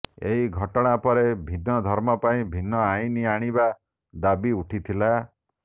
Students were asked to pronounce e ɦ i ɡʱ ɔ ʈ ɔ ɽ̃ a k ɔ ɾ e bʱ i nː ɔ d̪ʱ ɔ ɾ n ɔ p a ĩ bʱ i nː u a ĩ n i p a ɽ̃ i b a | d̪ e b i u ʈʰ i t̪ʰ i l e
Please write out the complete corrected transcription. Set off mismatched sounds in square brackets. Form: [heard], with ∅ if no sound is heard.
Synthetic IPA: e ɦ i ɡʱ ɔ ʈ ɔ ɽ̃ a [p] ɔ ɾ e bʱ i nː ɔ d̪ʱ ɔ ɾ [m] ɔ p a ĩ bʱ i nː [ɔ] a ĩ n i [∅] a ɽ̃ i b a | d̪ [a] b i u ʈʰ i t̪ʰ i l [a]